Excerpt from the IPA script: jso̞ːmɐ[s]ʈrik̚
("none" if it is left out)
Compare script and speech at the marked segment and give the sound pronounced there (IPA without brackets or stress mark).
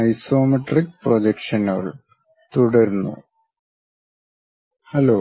none